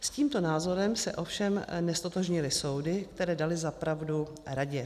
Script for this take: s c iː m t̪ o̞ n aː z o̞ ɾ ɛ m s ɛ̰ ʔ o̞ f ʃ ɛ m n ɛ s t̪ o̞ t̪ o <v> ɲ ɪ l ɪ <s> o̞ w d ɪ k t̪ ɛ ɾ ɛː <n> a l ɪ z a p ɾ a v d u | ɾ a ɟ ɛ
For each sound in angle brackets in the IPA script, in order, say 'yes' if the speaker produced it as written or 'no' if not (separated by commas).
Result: no, yes, no